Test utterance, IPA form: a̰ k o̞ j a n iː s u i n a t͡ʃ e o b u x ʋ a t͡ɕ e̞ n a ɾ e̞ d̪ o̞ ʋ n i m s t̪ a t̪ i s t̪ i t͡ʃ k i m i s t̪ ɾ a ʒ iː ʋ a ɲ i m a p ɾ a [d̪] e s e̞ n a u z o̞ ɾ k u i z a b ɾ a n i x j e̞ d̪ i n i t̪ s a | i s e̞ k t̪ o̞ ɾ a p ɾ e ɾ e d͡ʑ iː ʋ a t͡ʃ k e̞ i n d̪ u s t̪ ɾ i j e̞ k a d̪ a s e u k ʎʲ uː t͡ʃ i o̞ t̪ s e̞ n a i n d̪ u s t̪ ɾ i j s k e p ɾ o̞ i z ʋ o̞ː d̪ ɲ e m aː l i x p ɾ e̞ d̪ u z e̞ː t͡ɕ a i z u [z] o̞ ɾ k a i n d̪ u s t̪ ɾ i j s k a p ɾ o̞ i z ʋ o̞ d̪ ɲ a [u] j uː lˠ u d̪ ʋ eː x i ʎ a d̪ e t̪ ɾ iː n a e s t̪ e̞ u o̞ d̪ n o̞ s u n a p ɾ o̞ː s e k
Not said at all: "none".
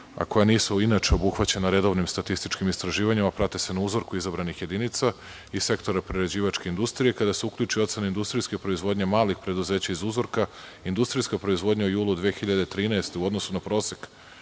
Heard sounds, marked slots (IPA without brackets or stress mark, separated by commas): t̪, z, u